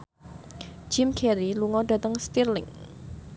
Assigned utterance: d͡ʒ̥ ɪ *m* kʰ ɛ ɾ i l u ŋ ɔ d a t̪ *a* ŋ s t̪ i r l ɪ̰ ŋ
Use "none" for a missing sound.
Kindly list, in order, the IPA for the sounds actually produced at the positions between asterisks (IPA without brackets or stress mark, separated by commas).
m, ə